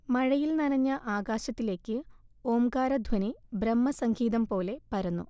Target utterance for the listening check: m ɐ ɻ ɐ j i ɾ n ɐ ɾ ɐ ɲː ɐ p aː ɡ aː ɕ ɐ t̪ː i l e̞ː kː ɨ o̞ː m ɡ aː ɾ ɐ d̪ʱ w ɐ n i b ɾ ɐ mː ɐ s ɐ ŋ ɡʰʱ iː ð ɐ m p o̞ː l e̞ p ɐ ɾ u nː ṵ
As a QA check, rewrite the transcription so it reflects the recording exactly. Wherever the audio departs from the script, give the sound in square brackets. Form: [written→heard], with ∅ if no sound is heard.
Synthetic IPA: m ɐ ɻ ɐ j i [ɾ→l] n ɐ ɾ ɐ ɲː ɐ [p→ʔ] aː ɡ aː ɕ ɐ t̪ː i l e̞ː kː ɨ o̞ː m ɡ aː ɾ ɐ d̪ʱ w ɐ n i b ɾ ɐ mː ɐ s ɐ ŋ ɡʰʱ iː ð ɐ m p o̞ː l e̞ p ɐ ɾ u nː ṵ

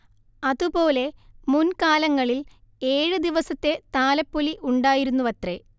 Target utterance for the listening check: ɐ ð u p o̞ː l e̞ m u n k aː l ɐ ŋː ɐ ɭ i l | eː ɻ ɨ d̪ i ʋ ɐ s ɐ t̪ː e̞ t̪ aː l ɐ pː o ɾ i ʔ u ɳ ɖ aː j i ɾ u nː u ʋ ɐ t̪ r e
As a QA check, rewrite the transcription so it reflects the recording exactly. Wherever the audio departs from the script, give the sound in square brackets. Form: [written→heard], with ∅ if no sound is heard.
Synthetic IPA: ɐ ð u p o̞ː l e̞ m u n k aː l ɐ ŋː ɐ ɭ i l | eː ɻ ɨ d̪ i ʋ ɐ s ɐ t̪ː e̞ t̪ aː l ɐ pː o [ɾ→l] i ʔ u ɳ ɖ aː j i ɾ u nː u ʋ ɐ t̪ r e

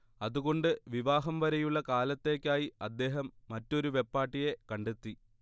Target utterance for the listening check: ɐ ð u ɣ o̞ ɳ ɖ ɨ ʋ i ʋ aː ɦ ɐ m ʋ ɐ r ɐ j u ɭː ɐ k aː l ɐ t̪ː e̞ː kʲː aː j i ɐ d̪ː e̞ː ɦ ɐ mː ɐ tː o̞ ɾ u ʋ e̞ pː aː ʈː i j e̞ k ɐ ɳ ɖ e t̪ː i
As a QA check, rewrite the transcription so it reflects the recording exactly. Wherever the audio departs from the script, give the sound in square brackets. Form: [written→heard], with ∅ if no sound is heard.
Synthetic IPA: ɐ ð u ɣ o̞ ɳ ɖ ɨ ʋ i ʋ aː ɦ ɐ m ʋ ɐ [r→ɾ] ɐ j u ɭː ɐ k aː l ɐ t̪ː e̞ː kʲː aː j i ɐ d̪ː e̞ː ɦ ɐ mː ɐ tː o̞ ɾ u ʋ e̞ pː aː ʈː i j e̞ k ɐ ɳ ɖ e t̪ː i

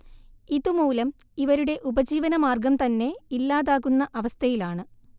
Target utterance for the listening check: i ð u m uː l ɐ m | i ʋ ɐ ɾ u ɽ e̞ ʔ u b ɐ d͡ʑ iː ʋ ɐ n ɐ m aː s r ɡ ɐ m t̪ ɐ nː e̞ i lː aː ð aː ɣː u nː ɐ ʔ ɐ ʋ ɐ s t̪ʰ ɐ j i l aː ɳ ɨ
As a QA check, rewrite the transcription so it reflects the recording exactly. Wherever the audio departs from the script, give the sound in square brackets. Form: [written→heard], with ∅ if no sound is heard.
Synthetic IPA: i ð u m uː l ɐ m | i ʋ ɐ ɾ u ɽ e̞ ʔ u b ɐ d͡ʑ iː ʋ ɐ n ɐ m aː [s→∅] r ɡ ɐ m t̪ ɐ nː e̞ i lː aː ð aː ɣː u nː ɐ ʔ ɐ ʋ ɐ s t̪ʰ ɐ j i l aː ɳ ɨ

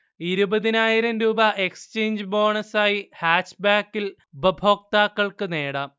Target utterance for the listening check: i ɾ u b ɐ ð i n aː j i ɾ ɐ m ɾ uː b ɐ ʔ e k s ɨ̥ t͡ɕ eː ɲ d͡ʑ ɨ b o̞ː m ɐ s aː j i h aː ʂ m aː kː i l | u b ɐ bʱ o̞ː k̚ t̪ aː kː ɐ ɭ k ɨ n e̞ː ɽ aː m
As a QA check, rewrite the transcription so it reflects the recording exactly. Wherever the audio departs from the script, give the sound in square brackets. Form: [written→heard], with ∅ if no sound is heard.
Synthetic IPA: i ɾ u b ɐ ð i n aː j i ɾ ɐ m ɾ uː b ɐ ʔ e k s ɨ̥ t͡ɕ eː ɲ d͡ʑ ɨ b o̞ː [m→ɳ] ɐ s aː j i h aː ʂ [m→b] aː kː i l | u b ɐ bʱ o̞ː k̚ t̪ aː kː ɐ ɭ k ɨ n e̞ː ɽ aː m

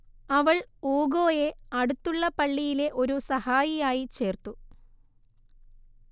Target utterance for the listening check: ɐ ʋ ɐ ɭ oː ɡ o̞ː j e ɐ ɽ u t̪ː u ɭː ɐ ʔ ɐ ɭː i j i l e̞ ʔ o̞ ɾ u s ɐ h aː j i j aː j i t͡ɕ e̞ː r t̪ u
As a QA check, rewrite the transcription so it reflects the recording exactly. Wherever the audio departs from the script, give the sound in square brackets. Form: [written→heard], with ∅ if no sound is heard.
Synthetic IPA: ɐ ʋ ɐ ɭ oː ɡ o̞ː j e ɐ ɽ u t̪ː u ɭː ɐ [ʔ→p] ɐ ɭː i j i l e̞ ʔ o̞ ɾ u s ɐ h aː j i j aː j i t͡ɕ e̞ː r t̪ u

